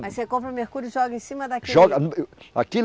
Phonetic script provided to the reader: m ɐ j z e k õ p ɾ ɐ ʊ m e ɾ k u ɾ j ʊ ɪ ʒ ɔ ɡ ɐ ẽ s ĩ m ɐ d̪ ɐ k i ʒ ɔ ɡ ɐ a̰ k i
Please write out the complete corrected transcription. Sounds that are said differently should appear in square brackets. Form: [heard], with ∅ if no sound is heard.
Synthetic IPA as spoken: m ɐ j [s] e k õ p ɾ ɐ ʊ m e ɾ k u ɾ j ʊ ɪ ʒ ɔ ɡ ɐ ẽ s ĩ m ɐ d̪ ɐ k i ʒ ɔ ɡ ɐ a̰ k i